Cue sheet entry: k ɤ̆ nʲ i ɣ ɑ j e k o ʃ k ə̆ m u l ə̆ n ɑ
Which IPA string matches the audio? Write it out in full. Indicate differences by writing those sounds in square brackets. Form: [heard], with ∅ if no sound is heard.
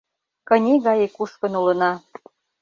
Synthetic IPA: k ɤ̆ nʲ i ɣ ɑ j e k [u] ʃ k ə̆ [n] u l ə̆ n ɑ